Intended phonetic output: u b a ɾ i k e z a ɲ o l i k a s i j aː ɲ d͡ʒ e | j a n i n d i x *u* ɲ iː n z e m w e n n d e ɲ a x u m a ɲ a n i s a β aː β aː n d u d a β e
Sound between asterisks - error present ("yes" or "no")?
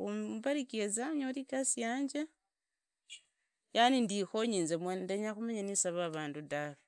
yes